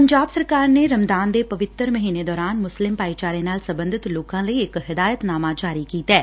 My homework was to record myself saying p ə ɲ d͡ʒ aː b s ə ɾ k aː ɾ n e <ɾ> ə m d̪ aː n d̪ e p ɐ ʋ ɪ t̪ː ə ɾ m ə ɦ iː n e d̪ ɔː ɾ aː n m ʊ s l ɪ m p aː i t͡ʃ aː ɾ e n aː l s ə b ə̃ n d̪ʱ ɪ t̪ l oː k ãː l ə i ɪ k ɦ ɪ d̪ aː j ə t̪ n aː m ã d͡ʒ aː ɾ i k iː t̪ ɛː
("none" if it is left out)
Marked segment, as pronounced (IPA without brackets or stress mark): ɾ